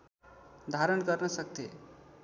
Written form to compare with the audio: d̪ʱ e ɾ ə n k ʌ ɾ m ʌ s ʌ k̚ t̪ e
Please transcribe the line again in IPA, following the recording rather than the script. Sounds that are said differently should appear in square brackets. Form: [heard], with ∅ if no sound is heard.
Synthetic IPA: d̪ʱ [a] ɾ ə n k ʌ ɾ [n] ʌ s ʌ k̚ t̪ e